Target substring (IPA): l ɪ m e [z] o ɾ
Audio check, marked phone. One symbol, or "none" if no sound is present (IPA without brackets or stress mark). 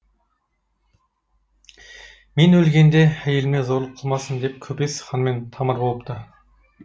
z